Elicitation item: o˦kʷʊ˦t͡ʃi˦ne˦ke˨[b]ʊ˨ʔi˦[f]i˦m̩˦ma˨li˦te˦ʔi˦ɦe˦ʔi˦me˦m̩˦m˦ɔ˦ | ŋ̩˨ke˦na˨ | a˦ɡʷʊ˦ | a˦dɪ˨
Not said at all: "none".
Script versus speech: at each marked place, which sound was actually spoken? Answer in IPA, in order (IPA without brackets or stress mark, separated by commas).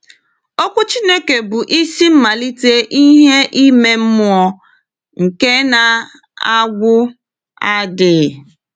b, s